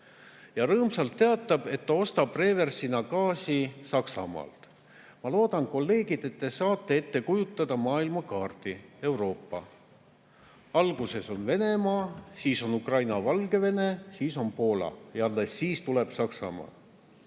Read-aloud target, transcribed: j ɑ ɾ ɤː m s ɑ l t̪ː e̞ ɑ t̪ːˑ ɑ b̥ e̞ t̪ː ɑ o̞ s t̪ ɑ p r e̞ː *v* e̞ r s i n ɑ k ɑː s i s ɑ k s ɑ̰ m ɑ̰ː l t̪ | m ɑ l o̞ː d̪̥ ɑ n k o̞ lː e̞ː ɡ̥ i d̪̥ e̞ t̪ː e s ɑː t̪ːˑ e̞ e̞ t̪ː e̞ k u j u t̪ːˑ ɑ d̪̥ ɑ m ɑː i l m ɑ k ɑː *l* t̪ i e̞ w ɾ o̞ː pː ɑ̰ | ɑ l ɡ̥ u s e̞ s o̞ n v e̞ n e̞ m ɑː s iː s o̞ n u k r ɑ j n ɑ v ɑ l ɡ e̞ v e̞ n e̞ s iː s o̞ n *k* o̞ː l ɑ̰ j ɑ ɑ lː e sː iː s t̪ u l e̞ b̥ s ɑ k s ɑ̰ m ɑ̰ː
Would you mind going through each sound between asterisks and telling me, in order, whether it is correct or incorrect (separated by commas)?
correct, incorrect, incorrect